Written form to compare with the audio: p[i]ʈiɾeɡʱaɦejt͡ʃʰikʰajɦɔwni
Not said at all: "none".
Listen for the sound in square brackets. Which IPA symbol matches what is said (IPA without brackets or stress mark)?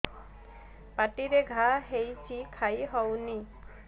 a